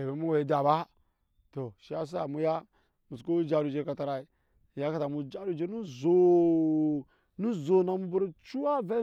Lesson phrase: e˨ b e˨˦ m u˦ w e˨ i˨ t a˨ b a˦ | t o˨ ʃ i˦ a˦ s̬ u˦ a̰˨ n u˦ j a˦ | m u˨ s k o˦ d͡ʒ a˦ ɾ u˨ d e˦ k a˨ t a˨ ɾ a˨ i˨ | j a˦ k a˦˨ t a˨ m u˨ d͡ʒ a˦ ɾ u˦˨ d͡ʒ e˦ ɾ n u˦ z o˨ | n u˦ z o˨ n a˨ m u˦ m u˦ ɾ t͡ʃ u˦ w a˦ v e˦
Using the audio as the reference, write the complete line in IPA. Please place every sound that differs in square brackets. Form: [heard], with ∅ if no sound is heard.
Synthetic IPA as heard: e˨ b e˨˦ m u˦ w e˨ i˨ [d] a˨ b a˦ | t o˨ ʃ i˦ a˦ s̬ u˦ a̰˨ [m] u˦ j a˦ | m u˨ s k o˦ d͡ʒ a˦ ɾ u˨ [d͡ʒ] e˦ k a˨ t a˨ ɾ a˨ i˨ | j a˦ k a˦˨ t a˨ m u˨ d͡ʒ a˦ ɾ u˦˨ d͡ʒ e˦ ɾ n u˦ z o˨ | n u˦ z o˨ n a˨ m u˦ [b] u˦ ɾ t͡ʃ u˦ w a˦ v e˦